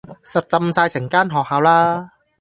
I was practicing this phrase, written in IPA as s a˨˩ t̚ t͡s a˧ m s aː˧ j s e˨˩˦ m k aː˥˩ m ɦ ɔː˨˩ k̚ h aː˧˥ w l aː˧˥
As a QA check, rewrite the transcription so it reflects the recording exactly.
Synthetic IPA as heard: s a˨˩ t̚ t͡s a˧ m s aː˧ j s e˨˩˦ ŋ k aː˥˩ n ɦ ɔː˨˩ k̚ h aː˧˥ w l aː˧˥